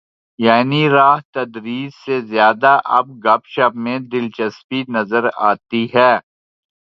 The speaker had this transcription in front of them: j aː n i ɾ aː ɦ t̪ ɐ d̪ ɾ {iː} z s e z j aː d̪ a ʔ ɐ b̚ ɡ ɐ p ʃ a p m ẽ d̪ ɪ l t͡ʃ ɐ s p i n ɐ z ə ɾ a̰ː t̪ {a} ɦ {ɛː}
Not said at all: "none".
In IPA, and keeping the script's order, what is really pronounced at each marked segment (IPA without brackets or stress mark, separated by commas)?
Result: iː, i, ɛː